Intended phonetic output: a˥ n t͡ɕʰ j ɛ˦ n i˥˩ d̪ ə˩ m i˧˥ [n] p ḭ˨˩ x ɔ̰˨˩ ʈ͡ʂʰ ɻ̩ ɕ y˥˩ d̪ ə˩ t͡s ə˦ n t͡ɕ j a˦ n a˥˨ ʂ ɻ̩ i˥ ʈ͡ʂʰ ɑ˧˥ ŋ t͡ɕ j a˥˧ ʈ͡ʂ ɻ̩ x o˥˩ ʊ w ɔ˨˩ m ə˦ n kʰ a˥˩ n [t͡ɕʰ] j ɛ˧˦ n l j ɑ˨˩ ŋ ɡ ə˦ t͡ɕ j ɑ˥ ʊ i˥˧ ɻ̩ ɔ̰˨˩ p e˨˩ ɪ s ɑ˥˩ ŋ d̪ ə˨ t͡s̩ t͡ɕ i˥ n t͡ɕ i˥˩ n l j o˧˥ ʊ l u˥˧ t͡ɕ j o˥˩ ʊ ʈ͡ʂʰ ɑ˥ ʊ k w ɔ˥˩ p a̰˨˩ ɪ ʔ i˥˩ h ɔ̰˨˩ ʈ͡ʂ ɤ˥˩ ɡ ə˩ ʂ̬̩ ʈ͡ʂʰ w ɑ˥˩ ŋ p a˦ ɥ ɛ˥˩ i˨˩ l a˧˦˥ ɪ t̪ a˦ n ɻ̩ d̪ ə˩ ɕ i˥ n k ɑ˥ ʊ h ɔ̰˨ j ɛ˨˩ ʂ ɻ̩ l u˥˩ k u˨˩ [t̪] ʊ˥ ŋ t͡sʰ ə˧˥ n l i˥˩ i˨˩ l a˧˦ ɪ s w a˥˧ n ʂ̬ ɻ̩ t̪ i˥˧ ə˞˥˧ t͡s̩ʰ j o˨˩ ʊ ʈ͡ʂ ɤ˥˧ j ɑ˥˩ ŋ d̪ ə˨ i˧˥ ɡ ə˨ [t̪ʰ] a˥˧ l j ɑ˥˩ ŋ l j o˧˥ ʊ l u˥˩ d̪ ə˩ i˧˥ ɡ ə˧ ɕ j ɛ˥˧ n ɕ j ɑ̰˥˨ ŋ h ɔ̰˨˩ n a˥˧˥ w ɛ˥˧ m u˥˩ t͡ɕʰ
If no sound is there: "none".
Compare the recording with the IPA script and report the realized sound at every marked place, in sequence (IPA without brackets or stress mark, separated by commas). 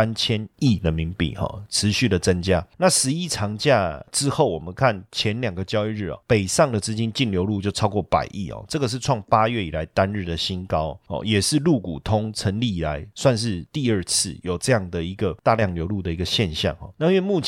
ŋ, t͡ɕʰ, t̪ʰ, t̪